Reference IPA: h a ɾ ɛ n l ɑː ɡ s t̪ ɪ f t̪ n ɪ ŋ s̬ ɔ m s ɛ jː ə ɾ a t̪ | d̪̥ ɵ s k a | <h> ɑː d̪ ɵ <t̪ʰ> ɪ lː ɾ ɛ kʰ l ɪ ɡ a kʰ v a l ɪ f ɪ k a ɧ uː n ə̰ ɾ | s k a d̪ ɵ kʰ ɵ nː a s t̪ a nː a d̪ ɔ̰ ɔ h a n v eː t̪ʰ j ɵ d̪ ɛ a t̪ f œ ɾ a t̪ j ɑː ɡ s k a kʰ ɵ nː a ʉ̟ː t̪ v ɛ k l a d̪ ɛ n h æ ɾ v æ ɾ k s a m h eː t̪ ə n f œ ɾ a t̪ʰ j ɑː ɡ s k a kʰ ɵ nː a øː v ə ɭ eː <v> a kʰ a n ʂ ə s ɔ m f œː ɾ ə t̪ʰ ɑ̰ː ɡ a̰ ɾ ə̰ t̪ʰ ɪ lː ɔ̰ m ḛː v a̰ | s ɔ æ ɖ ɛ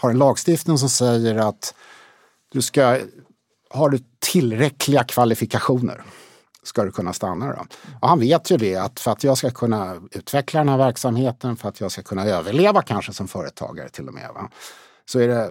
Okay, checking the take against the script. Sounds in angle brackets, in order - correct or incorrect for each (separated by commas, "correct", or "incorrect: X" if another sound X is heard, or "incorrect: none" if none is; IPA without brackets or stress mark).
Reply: correct, correct, correct